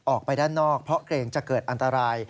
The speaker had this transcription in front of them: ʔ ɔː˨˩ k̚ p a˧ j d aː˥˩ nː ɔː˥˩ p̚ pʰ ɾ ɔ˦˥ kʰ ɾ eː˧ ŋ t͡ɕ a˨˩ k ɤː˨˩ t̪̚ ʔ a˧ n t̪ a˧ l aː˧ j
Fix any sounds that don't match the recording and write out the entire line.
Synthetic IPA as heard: ʔ ɔː˨˩ k̚ p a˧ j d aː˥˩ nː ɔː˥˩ k̚ pʰ ɾ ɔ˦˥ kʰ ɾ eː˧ ŋ t͡ɕ a˨˩ k ɤː˨˩ t̪̚ ʔ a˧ n t̪ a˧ ɾ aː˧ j